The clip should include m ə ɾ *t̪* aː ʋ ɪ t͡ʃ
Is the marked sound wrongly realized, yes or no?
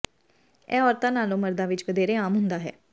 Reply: yes